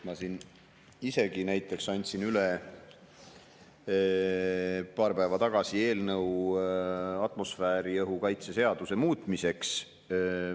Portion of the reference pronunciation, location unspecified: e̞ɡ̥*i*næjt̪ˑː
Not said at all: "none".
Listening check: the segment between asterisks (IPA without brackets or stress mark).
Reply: i